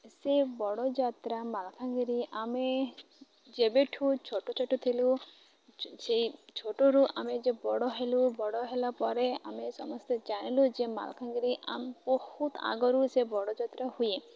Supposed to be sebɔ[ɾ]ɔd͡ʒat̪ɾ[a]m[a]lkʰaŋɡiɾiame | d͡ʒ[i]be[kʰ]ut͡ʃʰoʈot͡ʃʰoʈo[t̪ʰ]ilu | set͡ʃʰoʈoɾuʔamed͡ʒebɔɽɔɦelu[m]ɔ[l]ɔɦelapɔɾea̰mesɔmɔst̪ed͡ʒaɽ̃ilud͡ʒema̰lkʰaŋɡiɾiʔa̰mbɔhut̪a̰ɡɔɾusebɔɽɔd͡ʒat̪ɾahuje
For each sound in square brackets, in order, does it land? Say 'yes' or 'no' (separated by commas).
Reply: no, yes, yes, no, no, yes, no, no